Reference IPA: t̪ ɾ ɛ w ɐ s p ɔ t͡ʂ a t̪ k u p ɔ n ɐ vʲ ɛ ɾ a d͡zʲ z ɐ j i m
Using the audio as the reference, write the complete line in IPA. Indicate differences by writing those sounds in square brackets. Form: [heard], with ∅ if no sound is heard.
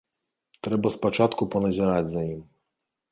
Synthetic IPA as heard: t̪ ɾ ɛ [b] ɐ s p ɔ t͡ʂ a t̪ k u p ɔ n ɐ [zʲ] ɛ ɾ a d͡zʲ z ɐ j i m